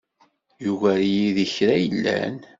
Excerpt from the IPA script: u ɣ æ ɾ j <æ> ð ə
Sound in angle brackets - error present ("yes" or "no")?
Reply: yes